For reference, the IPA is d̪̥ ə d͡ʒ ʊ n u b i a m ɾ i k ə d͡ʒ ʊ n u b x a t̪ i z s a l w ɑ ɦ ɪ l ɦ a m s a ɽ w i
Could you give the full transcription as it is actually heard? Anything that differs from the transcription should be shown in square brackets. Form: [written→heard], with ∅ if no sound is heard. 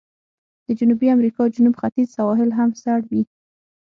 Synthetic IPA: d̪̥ ə d͡ʒ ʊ n u b i a m ɾ i k [ə→ɑ] d͡ʒ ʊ n u b x a t̪ i z s a [l→∅] w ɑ ɦ ɪ l ɦ a m s a ɽ w i